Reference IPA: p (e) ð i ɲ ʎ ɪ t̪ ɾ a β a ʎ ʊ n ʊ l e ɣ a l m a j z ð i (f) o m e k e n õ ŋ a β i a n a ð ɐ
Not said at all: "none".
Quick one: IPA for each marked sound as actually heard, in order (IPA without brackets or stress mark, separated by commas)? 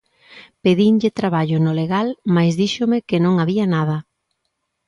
e, ʃ